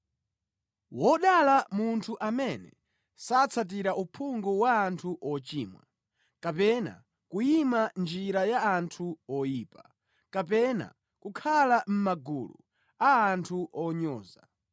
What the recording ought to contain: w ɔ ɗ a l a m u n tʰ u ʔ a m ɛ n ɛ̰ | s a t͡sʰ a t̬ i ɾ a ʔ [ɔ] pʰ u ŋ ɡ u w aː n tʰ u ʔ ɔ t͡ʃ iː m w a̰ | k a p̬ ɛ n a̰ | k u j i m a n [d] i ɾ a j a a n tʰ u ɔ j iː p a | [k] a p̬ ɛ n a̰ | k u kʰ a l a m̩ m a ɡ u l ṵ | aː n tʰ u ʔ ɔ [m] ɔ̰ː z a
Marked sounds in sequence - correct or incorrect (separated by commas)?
incorrect, incorrect, correct, incorrect